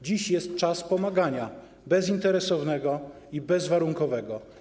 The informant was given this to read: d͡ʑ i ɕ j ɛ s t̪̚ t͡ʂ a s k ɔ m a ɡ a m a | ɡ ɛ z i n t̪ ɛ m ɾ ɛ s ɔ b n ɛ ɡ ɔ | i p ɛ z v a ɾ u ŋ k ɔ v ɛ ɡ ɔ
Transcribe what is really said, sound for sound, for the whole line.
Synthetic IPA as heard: d͡ʑ i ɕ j ɛ s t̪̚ t͡ʂ a s p ɔ m a ɡ a ɲ a | b ɛ z i n t̪ ɛ ɾ ɛ s ɔ v n ɛ ɡ ɔ | i b ɛ z v a ɾ u ŋ k ɔ v ɛ ɡ ɔ